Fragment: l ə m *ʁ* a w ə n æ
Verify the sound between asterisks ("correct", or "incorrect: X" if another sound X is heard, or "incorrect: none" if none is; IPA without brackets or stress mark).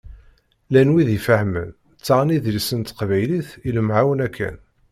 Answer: incorrect: ʕ